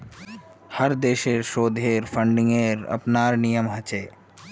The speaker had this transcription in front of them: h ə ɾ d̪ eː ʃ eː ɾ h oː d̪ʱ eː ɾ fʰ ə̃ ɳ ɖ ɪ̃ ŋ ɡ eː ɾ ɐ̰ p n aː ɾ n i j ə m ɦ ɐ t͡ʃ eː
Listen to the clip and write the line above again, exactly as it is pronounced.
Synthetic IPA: h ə ɾ d̪ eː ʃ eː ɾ ʃ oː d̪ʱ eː ɾ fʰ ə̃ ɳ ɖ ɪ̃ ŋ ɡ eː ɾ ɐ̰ p n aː ɾ n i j ə m ɦ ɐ t͡ʃ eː